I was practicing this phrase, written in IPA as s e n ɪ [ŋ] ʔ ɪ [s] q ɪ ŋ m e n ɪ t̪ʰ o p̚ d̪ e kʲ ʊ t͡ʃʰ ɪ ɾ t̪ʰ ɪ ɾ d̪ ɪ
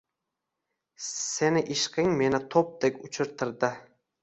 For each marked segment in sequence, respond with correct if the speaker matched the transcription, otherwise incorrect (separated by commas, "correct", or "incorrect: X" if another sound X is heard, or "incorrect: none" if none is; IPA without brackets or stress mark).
incorrect: none, incorrect: ʃ